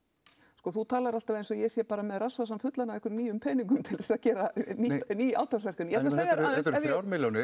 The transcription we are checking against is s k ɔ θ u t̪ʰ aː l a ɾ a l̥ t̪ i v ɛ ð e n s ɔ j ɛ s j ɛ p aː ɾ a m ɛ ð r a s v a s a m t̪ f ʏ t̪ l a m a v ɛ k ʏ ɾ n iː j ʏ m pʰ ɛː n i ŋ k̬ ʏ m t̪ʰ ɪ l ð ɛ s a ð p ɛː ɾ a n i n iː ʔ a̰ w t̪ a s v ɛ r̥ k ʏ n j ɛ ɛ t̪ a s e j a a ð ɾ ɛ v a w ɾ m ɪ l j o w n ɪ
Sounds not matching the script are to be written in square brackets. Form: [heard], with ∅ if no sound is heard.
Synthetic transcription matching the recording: s k ɔ θ u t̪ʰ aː l a ɾ a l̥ t̪ [a] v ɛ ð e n s ɔ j ɛ s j ɛ p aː ɾ a m ɛ ð r a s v a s a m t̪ f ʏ t̪ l a [n] a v ɛ k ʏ ɾ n iː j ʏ m pʰ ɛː n i ŋ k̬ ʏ m t̪ʰ ɪ l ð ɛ s a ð [c] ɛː ɾ a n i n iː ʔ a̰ w t̪ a s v ɛ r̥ k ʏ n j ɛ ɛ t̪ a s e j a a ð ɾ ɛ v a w ɾ m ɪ l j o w n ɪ